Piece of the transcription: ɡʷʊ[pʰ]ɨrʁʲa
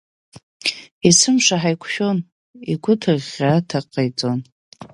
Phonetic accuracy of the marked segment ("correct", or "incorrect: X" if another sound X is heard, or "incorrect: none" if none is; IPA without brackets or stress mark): incorrect: tʰ